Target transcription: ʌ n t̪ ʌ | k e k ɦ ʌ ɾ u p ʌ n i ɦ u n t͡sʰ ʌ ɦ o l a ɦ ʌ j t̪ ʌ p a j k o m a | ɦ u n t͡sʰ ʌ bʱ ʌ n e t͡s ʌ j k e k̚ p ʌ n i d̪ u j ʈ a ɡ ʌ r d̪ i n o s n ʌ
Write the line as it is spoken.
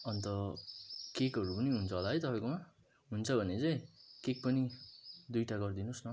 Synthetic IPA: ʌ n t̪ ʌ | k e k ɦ ʌ ɾ u p ʌ n i ɦ u n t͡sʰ ʌ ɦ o l a ɦ ʌ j t̪ ʌ p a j k o m a | ɦ u n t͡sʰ ʌ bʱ ʌ n e t͡s ʌ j k e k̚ p ʌ n i d̪ u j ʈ a ɡ ʌ r d̪ i n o s n ʌ